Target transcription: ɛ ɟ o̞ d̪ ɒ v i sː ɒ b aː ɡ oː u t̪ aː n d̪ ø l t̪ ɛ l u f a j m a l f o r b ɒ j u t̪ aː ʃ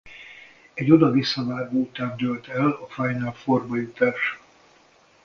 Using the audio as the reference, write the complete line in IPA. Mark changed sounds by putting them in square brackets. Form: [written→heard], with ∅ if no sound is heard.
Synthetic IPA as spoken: ɛ ɟ o̞ d̪ ɒ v i sː ɒ [b→v] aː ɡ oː u t̪ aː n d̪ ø l t̪ ɛ l [u→ɒ] f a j [m→n] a l f o r b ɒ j u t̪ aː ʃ